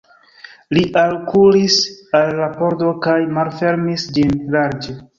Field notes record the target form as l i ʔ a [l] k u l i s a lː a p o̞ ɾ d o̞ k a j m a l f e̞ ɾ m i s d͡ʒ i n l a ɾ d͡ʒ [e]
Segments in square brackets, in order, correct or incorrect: correct, correct

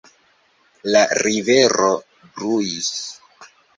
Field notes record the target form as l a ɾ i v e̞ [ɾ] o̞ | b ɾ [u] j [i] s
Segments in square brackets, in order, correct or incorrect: correct, correct, correct

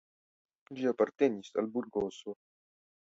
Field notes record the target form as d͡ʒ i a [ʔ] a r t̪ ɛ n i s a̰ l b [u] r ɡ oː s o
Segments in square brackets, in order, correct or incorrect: incorrect: p, correct

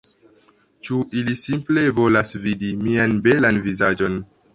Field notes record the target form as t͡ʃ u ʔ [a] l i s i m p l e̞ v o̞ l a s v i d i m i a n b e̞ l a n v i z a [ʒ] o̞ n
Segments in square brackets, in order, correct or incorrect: incorrect: i, incorrect: d͡ʒ

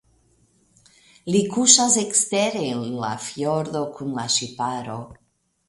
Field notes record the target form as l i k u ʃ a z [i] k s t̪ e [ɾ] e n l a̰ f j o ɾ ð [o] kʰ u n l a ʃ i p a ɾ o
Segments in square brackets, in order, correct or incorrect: incorrect: e, correct, correct

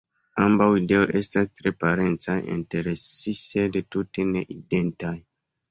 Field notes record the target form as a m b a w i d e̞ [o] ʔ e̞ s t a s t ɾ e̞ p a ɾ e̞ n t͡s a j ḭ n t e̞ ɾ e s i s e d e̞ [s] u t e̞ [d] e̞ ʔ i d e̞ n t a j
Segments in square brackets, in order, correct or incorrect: correct, incorrect: t, incorrect: n

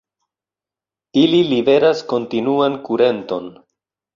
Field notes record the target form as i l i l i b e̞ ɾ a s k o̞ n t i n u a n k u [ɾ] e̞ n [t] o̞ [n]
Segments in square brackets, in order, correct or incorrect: correct, correct, correct

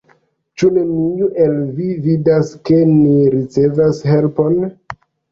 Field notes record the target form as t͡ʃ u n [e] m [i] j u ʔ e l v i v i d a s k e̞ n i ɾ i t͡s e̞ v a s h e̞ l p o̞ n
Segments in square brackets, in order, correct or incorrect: correct, correct

